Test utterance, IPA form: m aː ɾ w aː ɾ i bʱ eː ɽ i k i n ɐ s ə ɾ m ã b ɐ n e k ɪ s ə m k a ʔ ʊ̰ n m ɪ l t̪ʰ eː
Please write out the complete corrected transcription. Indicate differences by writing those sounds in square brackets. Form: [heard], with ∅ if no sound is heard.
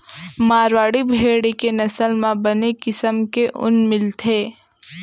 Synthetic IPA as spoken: m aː ɾ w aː [ɽ] i bʱ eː ɽ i k [e] n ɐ s ə [l] m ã b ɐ n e k ɪ s ə m k [e] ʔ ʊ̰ n m ɪ l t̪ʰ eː